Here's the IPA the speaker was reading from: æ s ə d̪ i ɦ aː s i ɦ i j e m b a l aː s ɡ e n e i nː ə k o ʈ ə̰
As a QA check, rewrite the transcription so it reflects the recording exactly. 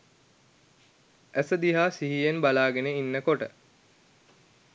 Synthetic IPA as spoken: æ s ə d̪ i ɦ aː s i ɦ i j e n b a l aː ɡ e n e i nː ə k o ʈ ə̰